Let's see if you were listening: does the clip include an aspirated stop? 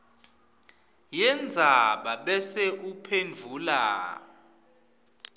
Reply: yes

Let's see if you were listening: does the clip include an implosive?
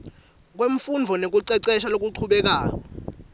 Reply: yes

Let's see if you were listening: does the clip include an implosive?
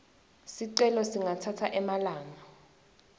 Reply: no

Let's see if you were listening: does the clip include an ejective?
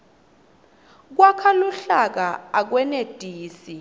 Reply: no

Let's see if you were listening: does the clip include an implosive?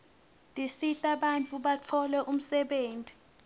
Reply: yes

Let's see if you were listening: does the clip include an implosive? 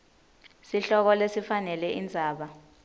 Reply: yes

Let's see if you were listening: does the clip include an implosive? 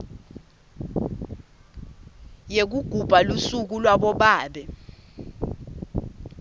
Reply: yes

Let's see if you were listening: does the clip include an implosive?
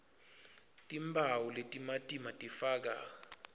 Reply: no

